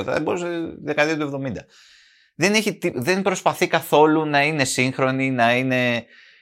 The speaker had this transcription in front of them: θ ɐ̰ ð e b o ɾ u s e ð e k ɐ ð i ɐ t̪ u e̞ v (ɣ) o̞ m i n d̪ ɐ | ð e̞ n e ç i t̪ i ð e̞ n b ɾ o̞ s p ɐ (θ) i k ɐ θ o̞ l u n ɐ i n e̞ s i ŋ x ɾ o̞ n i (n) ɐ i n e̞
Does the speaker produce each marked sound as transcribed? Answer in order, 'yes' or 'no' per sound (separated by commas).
no, yes, yes